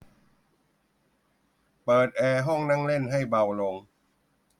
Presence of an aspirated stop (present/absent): absent